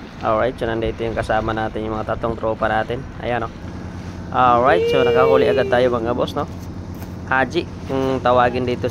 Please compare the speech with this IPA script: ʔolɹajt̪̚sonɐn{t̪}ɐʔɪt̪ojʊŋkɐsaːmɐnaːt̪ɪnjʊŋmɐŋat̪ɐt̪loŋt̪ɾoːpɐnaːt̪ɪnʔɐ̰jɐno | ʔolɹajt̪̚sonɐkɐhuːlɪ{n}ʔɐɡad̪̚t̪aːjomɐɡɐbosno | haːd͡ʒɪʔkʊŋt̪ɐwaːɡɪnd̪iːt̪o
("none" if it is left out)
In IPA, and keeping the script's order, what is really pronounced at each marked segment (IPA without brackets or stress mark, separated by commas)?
d̪, none